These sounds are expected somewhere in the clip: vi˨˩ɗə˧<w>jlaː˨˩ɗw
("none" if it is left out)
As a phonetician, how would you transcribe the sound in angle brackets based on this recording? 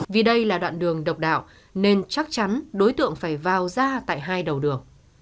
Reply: none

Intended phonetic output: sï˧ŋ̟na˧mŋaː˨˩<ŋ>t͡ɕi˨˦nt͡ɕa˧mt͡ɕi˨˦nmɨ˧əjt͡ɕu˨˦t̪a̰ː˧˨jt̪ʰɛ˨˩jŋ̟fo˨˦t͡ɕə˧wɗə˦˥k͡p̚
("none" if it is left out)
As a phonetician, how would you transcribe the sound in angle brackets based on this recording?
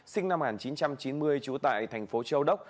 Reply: n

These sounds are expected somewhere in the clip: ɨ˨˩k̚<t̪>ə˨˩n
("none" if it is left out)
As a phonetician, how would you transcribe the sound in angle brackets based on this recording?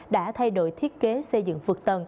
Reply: t̪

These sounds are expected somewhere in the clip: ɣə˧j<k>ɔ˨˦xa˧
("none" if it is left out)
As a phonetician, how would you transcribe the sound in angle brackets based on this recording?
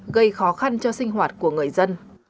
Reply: x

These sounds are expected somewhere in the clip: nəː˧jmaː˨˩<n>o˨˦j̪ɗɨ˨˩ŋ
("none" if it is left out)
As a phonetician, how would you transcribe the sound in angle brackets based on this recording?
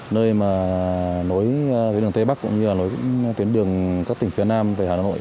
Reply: n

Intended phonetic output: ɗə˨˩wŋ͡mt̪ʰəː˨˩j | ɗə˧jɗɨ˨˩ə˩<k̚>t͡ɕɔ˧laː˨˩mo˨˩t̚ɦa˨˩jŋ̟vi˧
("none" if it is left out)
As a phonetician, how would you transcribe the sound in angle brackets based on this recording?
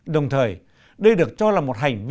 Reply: k̚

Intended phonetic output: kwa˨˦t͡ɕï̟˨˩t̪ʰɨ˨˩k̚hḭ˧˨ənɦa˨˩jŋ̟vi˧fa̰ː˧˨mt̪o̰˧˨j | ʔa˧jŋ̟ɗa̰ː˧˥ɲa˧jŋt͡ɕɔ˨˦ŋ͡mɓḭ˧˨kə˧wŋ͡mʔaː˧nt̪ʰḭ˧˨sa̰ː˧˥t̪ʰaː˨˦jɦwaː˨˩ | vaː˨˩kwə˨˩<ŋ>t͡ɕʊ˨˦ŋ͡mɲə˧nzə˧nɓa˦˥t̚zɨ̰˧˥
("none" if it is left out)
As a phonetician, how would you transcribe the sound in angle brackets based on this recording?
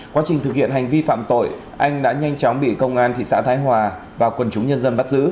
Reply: n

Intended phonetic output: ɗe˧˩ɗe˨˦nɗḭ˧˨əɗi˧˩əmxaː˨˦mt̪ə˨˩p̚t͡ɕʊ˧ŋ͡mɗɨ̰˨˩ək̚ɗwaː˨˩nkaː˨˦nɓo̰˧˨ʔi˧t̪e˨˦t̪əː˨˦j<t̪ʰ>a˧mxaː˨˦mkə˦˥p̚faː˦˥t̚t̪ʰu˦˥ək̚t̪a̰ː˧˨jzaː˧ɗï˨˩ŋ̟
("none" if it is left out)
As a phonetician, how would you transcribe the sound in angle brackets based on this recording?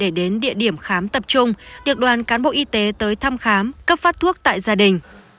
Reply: t̪ʰ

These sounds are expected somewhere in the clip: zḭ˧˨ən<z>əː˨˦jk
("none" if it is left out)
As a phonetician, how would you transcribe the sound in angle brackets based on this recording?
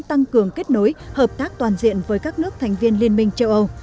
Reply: v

